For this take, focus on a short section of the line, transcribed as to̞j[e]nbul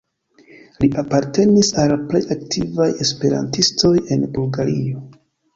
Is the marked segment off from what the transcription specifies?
no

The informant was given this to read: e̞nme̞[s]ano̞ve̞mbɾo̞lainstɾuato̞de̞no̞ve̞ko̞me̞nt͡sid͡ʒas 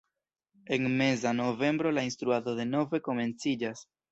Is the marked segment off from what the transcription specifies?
yes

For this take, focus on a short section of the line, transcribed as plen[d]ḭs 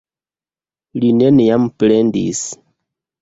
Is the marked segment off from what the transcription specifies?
no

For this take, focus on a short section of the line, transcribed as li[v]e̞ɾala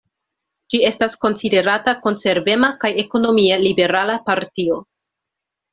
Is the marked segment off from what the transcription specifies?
yes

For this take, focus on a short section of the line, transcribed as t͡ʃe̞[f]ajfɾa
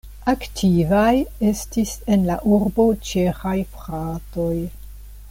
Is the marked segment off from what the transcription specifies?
yes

